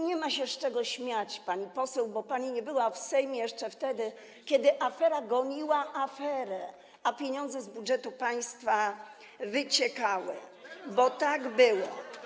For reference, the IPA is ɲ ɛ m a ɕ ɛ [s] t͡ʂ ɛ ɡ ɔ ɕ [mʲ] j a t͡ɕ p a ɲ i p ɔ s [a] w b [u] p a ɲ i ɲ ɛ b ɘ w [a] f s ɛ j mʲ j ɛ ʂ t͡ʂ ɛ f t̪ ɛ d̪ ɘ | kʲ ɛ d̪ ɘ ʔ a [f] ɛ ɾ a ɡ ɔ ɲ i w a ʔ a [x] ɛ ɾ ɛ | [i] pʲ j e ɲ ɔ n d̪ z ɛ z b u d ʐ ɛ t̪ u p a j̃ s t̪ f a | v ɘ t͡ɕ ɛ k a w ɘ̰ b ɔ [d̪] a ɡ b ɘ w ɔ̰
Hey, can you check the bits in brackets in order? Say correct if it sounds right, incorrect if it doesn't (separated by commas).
incorrect, correct, incorrect, incorrect, correct, correct, incorrect, incorrect, incorrect